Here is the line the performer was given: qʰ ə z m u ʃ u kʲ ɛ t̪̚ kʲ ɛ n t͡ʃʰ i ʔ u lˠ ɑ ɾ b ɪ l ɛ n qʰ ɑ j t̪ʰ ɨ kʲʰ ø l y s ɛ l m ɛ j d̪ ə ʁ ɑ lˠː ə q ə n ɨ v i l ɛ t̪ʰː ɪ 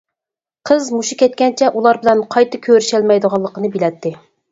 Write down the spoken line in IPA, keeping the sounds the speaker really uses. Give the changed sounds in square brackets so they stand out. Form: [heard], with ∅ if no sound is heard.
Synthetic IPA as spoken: qʰ ə z m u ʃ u kʲ ɛ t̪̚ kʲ ɛ n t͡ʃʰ [ɛ] ʔ u lˠ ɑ ɾ b ɪ l ɛ n qʰ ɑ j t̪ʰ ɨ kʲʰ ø [ɾ] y [ʃ] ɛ l m ɛ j d̪ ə ʁ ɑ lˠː ə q ə n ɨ [b] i l ɛ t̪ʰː ɪ